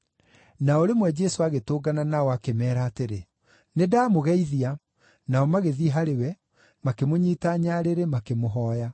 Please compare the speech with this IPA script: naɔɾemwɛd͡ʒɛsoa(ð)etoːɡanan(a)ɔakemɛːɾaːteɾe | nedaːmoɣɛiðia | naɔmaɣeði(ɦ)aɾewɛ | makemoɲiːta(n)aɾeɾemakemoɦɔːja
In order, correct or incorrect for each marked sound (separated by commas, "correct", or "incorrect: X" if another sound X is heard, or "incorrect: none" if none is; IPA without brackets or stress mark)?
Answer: incorrect: ɣ, correct, correct, incorrect: ɲ